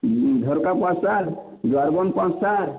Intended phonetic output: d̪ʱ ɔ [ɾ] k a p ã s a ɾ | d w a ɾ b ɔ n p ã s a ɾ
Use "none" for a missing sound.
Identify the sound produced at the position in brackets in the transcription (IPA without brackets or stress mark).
ɾ